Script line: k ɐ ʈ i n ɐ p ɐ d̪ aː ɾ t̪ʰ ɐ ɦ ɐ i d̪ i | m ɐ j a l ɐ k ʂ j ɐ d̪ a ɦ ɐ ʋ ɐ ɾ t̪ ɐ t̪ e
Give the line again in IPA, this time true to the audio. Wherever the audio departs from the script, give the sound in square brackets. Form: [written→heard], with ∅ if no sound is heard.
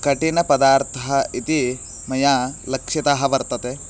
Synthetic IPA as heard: k ɐ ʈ i n ɐ p ɐ d̪ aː ɾ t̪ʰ ɐ ɦ ɐ i [d̪→t̪] i | m ɐ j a l ɐ k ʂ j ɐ [d̪→t̪] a ɦ ɐ ʋ ɐ ɾ t̪ ɐ t̪ e